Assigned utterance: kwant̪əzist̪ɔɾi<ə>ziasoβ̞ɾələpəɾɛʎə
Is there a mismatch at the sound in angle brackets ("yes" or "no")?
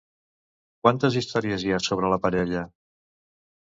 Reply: no